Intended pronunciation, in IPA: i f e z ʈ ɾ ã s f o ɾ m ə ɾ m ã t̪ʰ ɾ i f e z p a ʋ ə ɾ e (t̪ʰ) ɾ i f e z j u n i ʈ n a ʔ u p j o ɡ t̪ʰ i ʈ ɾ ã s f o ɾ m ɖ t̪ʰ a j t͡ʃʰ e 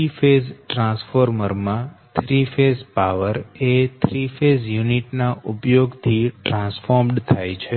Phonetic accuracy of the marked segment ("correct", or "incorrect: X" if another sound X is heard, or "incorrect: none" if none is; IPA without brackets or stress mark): correct